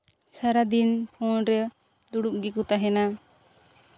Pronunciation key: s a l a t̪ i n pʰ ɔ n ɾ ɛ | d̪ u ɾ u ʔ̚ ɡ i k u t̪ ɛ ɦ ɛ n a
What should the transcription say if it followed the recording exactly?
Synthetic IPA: s a ɾ a d̪ i n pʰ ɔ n ɾ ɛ | d̪ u ɽ u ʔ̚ ɡ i k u t̪ a ɦ ɛ n a

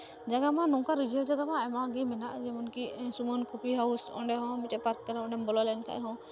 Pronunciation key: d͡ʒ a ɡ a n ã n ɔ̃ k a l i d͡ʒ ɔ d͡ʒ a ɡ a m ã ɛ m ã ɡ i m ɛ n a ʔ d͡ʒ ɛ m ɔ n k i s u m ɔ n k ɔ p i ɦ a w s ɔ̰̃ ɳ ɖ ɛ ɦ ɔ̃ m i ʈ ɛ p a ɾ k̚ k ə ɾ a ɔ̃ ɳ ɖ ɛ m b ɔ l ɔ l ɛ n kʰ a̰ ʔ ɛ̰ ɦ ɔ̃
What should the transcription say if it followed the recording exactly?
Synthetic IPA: d͡ʒ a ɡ a m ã n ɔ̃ k a ɾ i d͡ʒ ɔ d͡ʒ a ɡ a m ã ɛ m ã ɡ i m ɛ n a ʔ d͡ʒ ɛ m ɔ n k i s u m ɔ n k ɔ p i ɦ a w s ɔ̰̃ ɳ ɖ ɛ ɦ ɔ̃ m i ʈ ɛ p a ɾ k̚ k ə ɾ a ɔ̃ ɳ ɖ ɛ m b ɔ l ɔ l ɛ n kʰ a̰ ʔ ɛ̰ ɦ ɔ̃

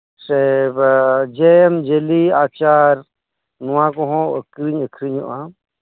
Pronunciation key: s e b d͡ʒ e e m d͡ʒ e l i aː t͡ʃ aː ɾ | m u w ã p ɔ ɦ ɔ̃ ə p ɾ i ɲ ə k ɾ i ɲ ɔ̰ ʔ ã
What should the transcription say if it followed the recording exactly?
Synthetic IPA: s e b d͡ʒ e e m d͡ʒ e l i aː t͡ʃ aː ɾ | n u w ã k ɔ ɦ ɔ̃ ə k ɾ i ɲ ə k ɾ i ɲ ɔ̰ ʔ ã

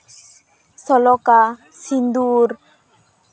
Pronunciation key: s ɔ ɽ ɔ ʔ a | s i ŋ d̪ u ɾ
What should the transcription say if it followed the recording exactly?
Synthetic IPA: s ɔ l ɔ k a | s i n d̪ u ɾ

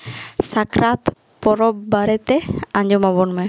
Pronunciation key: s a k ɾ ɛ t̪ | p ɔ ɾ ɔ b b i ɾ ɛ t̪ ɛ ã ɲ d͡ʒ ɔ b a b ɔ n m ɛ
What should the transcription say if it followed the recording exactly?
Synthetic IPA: s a k ɾ a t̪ | p ɔ ɾ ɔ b b a ɾ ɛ t̪ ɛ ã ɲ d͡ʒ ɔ m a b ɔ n m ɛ

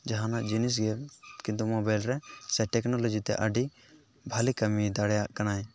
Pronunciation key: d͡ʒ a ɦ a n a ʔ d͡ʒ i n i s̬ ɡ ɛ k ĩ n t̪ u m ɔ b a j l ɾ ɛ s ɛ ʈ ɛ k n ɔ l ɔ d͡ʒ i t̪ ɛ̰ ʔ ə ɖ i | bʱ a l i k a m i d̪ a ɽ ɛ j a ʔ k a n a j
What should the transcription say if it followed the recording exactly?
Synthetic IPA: d͡ʒ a ɦ a n a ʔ d͡ʒ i n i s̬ ɡ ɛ k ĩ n t̪ u m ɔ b a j l ɾ ɛ s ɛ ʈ ɛ k n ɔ l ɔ d͡ʒ i t̪ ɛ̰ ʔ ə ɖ i | bʱ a l i k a m i d̪ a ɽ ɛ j a ʔ k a n a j

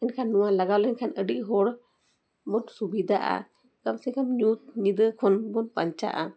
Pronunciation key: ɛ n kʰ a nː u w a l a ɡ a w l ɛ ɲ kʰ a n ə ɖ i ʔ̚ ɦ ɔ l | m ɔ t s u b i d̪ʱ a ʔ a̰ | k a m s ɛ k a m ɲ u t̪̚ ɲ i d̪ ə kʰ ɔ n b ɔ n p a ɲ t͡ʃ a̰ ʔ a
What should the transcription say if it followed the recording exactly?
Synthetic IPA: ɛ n kʰ a nː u w a l a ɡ a w l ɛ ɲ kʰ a n ə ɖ i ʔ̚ ɦ ɔ ɽ | m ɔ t s u b i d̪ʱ a ʔ a̰ | k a m s ɛ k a m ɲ u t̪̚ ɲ i d̪ ə kʰ ɔ n b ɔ n p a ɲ t͡ʃ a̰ ʔ a

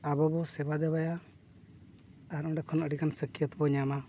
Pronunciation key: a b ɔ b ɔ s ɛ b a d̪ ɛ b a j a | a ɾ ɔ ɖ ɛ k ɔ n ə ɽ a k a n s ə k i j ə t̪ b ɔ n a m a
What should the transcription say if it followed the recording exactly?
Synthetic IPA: a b ɔ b ɔ s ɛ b a d̪ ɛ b a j a | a ɾ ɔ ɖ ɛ kʰ ɔ n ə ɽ i k a n s ə k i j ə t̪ b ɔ ɲ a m a

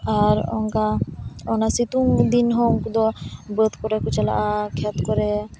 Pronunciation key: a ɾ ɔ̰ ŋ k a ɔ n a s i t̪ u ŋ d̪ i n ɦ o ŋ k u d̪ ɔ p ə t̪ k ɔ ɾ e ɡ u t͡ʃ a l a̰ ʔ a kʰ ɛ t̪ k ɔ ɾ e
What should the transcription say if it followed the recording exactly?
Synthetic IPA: a ɾ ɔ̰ ŋ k a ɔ n a s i t̪ u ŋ d̪ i n ɦ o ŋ k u d̪ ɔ b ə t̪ k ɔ ɾ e k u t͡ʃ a l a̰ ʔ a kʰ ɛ t̪ k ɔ ɾ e

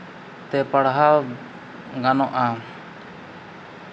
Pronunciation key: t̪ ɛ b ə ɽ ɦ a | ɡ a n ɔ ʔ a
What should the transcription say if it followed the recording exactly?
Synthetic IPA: t̪ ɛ p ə ɽ ɦ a | ɡ a n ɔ ʔ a

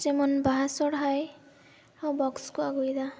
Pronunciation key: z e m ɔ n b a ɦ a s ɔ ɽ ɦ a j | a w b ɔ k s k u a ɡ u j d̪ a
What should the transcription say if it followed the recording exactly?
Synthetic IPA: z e m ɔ n b a ɦ a s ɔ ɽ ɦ a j | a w b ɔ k s k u a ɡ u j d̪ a

